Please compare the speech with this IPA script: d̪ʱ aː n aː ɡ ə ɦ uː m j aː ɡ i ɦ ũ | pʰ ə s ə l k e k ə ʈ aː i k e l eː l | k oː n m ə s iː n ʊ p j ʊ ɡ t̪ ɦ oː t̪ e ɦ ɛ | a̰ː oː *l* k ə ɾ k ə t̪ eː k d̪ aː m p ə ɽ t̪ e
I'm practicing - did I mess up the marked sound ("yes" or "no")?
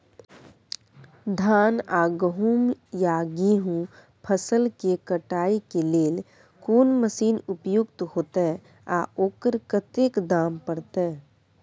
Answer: yes